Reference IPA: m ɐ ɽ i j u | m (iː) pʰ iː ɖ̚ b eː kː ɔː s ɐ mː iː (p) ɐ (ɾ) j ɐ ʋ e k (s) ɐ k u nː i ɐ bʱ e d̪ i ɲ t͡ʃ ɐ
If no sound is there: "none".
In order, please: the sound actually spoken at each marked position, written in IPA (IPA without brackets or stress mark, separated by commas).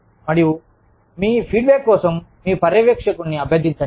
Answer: iː, p, ɾ, ʂ